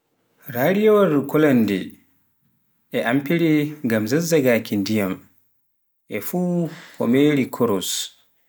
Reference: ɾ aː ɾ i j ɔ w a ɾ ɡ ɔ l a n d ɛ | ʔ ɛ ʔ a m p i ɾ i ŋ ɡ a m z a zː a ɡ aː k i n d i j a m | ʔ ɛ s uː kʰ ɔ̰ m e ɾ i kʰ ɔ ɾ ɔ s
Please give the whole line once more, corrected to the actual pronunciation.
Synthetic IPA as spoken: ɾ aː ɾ i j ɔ w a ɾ k ɔ l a n d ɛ | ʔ ɛ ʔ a m p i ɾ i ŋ ɡ a m z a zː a ɡ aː k i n d i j a m | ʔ ɛ f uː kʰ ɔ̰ m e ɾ i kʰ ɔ ɾ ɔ s